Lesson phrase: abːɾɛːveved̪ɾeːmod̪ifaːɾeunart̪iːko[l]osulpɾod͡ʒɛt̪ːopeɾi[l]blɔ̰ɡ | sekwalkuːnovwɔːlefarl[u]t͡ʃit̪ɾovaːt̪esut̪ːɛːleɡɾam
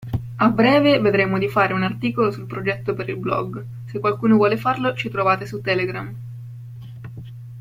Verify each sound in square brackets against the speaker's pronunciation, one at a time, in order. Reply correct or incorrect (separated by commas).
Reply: correct, correct, incorrect